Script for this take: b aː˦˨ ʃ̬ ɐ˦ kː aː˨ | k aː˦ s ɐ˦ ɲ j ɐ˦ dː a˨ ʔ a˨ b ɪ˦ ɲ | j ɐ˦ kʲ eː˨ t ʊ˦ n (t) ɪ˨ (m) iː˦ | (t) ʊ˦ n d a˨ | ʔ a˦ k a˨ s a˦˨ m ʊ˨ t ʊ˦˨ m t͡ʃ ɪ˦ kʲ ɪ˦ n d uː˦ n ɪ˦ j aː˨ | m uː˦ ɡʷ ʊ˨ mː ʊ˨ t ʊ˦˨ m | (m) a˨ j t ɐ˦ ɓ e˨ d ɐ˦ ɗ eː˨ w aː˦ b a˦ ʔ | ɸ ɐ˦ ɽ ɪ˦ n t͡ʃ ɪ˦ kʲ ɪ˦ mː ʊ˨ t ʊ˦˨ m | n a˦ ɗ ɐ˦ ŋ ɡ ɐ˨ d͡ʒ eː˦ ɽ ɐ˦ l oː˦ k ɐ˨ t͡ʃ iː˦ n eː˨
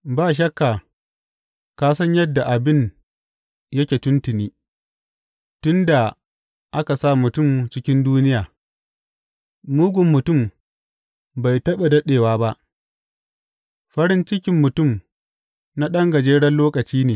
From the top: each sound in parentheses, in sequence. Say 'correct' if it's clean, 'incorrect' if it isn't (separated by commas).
correct, incorrect, correct, incorrect